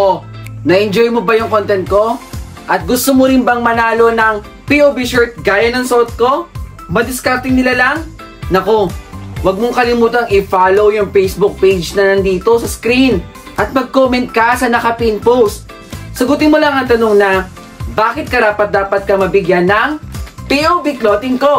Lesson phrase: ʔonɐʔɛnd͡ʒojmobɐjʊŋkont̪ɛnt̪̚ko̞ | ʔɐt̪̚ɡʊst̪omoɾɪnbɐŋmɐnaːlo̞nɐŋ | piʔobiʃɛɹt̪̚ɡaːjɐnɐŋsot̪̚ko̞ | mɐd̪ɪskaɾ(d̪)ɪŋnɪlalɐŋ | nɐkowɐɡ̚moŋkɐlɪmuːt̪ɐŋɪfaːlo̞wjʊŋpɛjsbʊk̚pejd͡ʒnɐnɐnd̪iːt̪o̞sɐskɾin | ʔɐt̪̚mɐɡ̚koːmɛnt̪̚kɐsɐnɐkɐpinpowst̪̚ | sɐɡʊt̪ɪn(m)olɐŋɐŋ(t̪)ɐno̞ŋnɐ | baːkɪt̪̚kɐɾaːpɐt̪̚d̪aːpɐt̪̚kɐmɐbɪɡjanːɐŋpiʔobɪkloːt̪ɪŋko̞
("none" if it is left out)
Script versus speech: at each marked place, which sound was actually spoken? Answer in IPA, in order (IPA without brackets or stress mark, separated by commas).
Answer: t̪, m, t̪